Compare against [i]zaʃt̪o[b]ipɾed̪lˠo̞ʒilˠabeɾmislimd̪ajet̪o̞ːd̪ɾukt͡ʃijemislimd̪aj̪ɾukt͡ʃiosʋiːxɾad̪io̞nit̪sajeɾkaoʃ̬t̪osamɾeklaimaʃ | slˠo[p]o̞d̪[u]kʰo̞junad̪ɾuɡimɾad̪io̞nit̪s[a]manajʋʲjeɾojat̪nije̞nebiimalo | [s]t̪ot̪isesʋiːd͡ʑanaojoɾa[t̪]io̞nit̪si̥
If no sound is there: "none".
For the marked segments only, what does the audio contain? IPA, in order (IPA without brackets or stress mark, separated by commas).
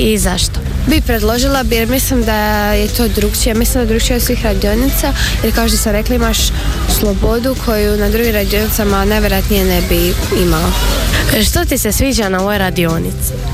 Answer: i, b, b, u, a, ʃ, d̪